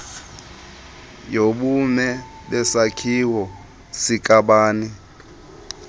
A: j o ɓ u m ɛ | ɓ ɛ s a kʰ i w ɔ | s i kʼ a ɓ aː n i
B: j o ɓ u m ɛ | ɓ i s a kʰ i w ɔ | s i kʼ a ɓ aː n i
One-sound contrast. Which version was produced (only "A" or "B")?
A